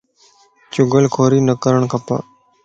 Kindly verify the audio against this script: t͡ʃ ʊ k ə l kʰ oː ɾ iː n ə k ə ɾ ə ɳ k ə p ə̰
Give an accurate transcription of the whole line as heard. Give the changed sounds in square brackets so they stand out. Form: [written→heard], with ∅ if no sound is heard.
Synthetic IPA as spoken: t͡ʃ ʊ [k→ɡ] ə l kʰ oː ɾ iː n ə k ə ɾ ə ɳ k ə p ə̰